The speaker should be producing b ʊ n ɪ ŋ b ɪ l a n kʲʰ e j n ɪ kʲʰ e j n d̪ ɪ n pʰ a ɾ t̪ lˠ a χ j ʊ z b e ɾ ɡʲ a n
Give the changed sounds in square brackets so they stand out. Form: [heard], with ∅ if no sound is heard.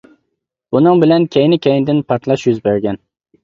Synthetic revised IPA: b ʊ n ɪ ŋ b ɪ l a n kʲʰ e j n ɪ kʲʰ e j n d̪ ɪ n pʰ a ɾ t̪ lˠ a [ʃ] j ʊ z b e ɾ ɡʲ a n